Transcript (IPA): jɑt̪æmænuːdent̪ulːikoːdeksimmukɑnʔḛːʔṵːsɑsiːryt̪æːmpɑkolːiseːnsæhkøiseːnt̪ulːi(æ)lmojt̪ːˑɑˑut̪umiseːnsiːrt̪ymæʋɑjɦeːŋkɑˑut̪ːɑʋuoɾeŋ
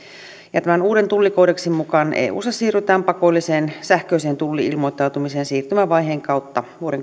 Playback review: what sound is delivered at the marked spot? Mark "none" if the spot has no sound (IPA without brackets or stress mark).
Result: i